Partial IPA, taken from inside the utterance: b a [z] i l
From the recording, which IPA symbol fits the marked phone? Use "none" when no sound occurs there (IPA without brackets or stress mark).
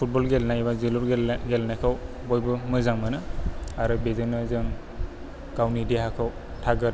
z